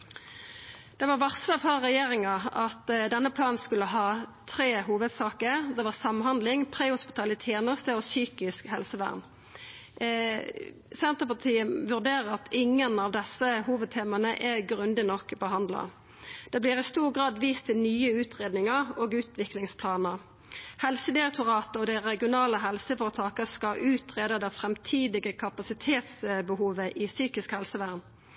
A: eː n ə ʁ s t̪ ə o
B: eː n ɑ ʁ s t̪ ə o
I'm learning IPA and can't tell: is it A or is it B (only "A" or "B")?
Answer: A